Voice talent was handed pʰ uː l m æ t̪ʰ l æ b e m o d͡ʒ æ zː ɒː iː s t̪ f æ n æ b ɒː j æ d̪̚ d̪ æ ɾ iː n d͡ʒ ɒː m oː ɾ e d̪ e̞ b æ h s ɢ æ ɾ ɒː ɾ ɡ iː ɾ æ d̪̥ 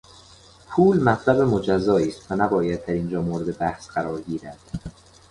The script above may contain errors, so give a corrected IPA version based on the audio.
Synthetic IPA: pʰ uː l m æ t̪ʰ l æ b e m o d͡ʒ æ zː ɒː iː s t̪ v æ n æ b ɒː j æ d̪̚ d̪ æ ɾ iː n d͡ʒ ɒː m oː ɾ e d̪ e̞ b æ h s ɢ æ ɾ ɒː ɾ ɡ iː ɾ æ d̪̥